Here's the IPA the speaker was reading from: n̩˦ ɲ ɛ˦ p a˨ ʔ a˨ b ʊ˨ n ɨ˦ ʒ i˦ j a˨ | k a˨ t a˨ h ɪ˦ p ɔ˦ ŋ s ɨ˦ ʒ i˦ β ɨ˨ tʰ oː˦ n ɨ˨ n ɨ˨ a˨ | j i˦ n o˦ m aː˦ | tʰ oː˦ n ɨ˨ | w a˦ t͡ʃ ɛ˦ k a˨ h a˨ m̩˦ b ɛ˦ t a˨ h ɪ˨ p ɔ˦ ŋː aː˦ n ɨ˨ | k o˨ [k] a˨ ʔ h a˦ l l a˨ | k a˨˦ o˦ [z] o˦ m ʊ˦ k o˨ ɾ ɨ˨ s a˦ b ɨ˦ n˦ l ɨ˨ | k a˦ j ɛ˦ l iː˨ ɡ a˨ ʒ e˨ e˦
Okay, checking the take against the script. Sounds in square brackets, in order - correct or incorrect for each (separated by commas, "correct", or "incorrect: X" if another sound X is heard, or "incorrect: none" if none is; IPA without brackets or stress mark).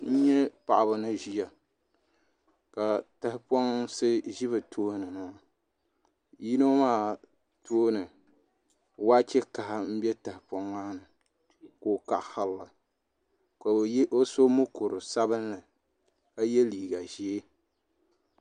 correct, incorrect: s